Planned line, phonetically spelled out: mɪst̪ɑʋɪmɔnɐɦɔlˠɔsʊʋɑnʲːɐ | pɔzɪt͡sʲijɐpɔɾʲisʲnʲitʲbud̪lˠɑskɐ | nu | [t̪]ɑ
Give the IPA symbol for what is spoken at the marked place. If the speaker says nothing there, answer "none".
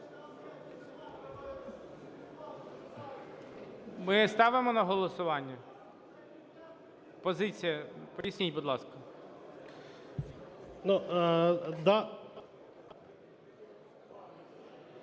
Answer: d̪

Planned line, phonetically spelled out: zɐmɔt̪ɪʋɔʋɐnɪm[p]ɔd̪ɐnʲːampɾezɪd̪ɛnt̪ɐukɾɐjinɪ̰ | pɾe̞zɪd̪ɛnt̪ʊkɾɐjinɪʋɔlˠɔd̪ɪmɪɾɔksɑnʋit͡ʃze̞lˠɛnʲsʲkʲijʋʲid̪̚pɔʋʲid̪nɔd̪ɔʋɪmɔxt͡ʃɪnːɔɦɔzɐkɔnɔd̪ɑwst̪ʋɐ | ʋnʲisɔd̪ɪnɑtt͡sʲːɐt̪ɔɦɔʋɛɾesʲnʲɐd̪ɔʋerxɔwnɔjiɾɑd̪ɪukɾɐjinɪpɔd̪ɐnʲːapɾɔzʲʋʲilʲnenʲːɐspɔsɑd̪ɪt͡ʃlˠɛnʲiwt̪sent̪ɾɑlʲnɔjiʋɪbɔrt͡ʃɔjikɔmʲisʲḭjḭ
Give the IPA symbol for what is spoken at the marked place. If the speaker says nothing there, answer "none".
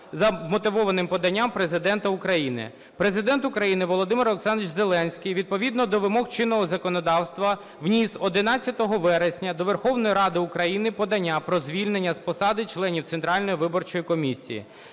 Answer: p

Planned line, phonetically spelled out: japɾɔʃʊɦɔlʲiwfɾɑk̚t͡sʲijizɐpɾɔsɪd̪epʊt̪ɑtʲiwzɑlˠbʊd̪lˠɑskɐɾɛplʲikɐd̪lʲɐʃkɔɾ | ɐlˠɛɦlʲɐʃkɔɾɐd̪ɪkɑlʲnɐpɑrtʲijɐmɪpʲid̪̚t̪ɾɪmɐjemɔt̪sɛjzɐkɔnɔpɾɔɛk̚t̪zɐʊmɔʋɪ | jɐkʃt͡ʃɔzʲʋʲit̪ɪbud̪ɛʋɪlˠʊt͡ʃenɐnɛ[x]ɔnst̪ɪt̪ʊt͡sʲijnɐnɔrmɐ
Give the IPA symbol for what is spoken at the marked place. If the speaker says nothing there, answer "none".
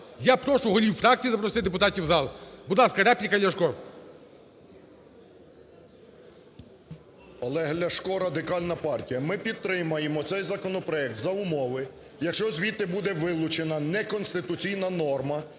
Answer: k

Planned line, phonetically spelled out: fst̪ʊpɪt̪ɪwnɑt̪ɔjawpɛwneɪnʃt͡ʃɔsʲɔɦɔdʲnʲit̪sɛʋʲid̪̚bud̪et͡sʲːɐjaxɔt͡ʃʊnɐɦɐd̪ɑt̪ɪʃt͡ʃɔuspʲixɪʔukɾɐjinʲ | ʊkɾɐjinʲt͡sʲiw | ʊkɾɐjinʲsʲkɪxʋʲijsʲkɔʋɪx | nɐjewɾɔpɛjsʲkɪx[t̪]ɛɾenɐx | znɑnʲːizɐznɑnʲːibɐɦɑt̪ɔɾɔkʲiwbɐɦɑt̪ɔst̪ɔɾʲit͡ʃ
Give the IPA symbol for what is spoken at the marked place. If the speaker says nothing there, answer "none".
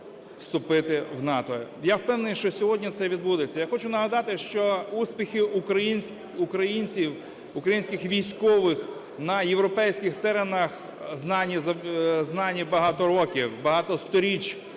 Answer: t̪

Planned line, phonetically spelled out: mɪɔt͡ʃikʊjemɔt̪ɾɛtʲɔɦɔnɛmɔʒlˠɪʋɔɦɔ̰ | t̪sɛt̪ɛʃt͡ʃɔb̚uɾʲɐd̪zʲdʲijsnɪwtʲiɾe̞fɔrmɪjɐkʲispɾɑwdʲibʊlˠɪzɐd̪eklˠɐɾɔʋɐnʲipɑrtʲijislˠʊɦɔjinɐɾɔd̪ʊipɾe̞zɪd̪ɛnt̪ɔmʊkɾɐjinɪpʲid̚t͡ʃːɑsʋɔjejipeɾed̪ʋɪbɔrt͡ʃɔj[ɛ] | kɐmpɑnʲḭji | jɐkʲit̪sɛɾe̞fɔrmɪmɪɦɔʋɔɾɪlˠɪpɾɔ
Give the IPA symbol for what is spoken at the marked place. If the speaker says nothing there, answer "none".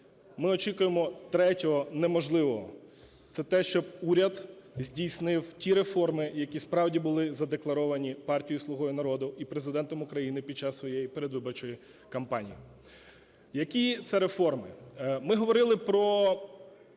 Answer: i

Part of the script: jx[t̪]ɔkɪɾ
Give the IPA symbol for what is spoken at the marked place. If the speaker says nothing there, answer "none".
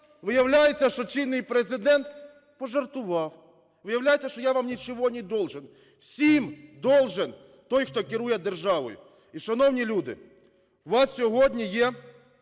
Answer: t̪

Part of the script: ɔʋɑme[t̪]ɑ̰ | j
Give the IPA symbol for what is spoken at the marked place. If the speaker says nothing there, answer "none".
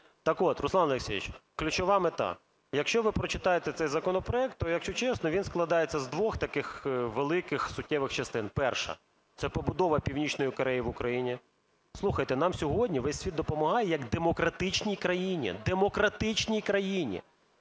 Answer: t̪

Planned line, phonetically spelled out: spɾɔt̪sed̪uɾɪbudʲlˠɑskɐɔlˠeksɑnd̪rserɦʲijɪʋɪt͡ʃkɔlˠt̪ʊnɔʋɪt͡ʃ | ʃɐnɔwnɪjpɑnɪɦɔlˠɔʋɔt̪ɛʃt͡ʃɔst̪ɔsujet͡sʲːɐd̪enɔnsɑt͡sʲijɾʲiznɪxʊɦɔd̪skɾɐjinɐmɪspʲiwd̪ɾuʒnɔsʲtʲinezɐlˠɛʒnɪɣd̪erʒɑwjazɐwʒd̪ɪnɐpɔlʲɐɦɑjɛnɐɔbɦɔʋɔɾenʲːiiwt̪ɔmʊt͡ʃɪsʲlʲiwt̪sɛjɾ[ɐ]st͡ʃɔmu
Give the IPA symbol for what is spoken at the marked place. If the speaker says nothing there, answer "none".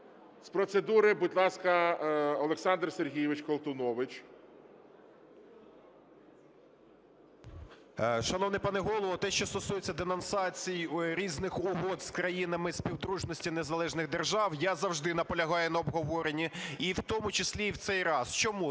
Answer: ɑ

